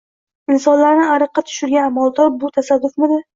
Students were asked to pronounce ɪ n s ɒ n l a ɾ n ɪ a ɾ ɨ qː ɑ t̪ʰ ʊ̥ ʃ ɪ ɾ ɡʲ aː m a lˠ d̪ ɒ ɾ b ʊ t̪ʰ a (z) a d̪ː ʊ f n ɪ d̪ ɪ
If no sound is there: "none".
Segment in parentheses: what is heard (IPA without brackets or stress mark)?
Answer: s